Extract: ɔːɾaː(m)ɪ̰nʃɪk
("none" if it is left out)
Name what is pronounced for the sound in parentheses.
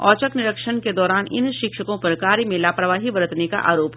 n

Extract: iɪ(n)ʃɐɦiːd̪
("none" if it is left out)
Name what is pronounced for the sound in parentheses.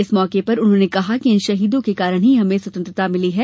n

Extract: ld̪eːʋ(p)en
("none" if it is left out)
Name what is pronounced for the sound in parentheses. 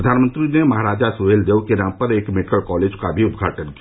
k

